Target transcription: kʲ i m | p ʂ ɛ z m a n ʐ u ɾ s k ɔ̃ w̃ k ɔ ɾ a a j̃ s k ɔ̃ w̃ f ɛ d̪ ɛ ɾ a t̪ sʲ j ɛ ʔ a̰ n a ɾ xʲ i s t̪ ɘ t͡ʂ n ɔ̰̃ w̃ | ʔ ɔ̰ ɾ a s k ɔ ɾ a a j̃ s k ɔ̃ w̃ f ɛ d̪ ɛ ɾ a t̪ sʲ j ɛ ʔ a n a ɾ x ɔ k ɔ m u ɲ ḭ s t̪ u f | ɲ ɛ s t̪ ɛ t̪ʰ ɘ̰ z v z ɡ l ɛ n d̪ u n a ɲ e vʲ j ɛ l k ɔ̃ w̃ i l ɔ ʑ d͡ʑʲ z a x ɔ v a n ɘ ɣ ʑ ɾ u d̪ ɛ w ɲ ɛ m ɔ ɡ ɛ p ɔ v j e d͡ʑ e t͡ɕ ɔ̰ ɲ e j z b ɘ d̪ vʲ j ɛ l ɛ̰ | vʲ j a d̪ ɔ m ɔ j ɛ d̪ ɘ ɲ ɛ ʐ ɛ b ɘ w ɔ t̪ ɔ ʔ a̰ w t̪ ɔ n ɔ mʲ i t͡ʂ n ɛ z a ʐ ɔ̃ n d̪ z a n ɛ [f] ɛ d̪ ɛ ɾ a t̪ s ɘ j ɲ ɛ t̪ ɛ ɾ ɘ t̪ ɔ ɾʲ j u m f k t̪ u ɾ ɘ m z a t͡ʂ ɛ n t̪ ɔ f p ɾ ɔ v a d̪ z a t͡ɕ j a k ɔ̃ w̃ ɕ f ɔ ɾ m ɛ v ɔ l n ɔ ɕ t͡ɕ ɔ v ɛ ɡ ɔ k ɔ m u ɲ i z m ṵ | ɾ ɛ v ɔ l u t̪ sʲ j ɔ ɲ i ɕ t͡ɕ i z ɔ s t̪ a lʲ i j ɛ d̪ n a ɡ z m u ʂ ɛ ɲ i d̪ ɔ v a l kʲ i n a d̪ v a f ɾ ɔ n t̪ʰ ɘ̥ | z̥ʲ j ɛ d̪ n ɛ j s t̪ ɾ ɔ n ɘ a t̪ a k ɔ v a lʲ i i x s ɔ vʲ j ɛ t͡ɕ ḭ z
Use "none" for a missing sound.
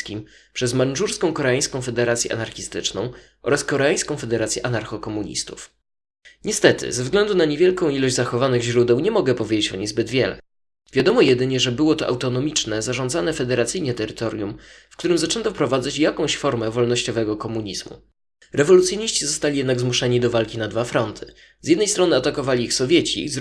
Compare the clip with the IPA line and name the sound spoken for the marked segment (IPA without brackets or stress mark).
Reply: f